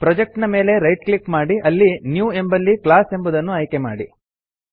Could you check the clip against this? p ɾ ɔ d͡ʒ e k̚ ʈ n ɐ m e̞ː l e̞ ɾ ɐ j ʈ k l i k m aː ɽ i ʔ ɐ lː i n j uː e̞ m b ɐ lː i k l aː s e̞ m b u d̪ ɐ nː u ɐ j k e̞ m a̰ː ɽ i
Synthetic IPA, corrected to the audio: p ɾ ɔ d͡ʒ e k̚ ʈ n ɐ m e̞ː l e̞ ɾ ɐ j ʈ k l i k m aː ɽ i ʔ ɐ lː i n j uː e̞ m b ɐ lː i k l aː s e̞ m b u d̪ ɐ nː u ɐ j k e̞ m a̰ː ɽ i